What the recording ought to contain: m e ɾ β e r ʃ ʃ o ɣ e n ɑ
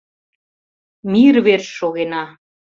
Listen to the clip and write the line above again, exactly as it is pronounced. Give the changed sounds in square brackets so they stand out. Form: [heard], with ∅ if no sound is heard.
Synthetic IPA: m [i] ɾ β e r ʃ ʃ o ɣ e n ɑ